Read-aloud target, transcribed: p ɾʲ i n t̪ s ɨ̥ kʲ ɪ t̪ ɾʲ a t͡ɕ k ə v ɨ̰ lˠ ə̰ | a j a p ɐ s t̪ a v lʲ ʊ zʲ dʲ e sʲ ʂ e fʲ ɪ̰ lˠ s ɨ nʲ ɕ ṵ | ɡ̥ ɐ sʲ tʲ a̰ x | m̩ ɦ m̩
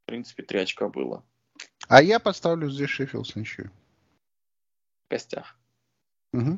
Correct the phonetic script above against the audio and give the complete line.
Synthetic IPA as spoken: p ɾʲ i n t̪ s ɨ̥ pʲ ɪ t̪ ɾʲ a t͡ɕ k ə b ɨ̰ lˠ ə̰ | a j a p ɐ s t̪ a v lʲ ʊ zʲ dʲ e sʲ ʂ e fʲ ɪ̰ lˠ s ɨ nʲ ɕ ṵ | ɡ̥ ɐ sʲ tʲ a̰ x | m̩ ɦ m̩